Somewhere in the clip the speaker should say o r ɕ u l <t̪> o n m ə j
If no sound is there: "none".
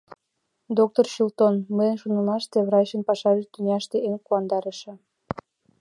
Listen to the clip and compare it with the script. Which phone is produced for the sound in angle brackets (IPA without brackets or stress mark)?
t̪